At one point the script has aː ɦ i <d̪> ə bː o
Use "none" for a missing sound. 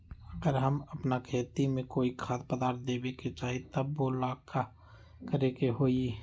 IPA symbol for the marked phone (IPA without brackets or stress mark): t̪